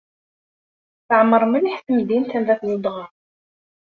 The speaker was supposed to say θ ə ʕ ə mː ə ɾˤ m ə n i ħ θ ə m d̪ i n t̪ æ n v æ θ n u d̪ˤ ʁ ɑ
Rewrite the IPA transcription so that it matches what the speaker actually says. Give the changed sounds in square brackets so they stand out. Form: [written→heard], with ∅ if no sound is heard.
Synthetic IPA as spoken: θ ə ʕ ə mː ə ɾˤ m ə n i ħ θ ə m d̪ i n t̪ æ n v æ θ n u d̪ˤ ʁ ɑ